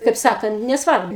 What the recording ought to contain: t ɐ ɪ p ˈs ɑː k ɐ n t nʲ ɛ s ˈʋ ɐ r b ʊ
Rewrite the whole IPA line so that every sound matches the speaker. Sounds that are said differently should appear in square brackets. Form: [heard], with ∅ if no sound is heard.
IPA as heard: [k] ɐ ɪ p ˈs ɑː k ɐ n t nʲ ɛ s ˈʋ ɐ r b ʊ

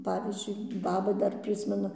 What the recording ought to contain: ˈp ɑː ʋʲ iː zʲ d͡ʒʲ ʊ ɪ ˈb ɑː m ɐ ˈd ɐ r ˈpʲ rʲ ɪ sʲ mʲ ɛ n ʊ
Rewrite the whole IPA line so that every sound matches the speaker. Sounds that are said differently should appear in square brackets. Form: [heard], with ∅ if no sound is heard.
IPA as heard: ˈp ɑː ʋʲ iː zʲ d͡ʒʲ ʊ ɪ ˈb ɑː [b] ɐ ˈd ɐ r ˈpʲ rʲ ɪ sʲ mʲ ɛ n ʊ

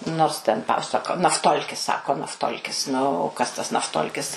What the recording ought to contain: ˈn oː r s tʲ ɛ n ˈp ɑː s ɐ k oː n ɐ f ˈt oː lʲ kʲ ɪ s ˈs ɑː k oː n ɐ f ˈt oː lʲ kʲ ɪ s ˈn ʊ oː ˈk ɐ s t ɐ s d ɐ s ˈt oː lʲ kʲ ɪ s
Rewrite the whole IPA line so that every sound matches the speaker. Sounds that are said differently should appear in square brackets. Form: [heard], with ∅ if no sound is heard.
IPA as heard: ˈn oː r s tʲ ɛ n ˈp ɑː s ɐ k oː n ɐ f ˈt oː lʲ kʲ ɪ s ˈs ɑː k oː n ɐ f ˈt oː lʲ kʲ ɪ s ˈn ʊ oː ˈk ɐ s t ɐ s [n] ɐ [f] ˈt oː lʲ kʲ ɪ s

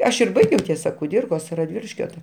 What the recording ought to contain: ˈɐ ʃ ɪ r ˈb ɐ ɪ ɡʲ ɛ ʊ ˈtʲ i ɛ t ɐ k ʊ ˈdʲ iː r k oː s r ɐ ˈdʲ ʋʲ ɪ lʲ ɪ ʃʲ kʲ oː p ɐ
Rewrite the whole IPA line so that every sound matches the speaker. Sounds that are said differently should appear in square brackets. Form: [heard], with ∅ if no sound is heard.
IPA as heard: ˈɐ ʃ ɪ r ˈb ɐ ɪ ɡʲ ɛ ʊ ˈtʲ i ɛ [s] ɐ k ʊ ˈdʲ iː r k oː s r ɐ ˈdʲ ʋʲ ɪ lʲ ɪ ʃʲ kʲ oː [t] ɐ

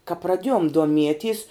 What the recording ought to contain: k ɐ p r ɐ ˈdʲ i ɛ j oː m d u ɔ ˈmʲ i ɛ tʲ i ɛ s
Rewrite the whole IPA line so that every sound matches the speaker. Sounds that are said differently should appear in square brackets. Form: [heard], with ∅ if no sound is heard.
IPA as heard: k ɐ p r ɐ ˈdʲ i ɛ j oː m d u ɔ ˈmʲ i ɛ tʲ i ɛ s

